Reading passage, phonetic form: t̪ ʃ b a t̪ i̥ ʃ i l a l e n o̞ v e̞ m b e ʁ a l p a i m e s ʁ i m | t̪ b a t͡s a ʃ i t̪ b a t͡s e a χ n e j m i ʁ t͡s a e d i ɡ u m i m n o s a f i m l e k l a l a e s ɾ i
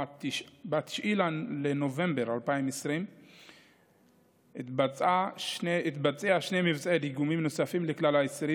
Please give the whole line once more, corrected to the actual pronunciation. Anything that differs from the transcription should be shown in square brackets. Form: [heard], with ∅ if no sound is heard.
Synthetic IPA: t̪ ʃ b a t̪ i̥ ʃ i l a l e n o̞ v e̞ m b e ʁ a l p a i m e s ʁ i m | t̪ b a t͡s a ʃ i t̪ b a t͡s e a [ʃ] n e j m i [v] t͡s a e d i ɡ u m i m n o s a f i m l e k l a l a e s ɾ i